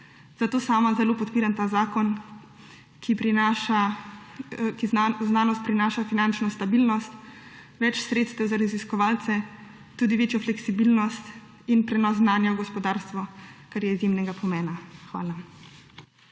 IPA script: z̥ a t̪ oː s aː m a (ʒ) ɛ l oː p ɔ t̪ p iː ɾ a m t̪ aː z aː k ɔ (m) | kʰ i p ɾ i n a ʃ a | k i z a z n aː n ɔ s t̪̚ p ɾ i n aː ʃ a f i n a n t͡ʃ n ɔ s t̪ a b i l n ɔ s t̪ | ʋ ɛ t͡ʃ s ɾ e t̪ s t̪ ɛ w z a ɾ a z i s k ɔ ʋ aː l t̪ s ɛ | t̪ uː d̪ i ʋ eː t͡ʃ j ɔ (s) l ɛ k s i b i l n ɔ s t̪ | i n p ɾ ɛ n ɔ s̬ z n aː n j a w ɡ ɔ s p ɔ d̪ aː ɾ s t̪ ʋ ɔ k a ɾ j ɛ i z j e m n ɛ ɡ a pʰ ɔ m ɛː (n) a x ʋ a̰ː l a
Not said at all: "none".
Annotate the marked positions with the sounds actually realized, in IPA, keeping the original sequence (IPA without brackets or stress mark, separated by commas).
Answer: z, n, f, n